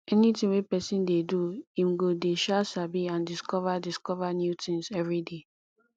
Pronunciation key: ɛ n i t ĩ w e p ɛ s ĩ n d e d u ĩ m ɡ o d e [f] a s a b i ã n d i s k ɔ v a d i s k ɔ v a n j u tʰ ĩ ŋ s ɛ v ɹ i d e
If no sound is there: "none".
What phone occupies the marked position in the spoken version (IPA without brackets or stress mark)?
ʃ